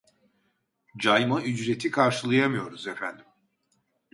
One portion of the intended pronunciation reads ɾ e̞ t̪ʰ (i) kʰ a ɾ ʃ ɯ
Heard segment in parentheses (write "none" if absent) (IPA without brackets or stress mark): i